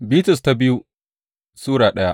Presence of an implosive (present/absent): present